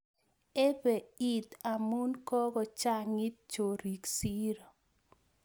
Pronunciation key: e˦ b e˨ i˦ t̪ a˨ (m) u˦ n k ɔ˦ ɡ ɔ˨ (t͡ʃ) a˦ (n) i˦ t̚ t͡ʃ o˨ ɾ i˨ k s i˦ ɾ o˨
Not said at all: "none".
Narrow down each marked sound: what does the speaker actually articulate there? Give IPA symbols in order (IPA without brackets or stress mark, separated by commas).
m, t͡ʃ, ŋ